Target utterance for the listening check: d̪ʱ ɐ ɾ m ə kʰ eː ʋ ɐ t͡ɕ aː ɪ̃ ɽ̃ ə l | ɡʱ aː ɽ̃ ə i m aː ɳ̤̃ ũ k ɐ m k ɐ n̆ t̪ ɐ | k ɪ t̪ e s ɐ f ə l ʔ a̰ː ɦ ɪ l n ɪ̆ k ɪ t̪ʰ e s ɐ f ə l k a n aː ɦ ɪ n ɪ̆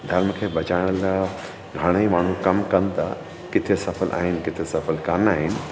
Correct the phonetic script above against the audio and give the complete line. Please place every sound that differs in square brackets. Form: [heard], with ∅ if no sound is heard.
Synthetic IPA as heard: d̪ʱ ɐ ɾ m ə kʰ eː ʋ ɐ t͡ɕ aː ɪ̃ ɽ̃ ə l | ɡʱ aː ɽ̃ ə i m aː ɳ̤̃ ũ k ɐ m k ɐ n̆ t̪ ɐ | k ɪ [t̪ʰ] e s ɐ f ə l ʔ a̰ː ɦ ɪ [∅] n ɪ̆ k ɪ t̪ʰ e s ɐ f ə l k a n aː ɦ ɪ n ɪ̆